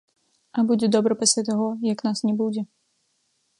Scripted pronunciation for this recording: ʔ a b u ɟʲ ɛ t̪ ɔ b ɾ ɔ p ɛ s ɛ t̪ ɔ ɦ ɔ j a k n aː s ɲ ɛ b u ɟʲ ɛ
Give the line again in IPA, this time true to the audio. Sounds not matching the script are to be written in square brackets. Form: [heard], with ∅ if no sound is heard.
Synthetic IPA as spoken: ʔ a b u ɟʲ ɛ [d̪] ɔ b ɾ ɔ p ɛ s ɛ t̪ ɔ ɦ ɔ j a k n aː s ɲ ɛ b u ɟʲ ɛ